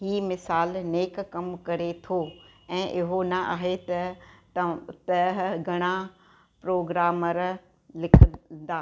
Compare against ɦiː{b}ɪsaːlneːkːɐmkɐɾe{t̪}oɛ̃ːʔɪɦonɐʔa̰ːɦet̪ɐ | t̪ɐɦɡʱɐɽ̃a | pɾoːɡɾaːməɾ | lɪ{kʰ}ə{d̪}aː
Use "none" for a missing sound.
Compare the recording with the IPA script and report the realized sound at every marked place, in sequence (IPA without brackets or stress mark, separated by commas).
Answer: m, t̪ʰ, kʰ, d̪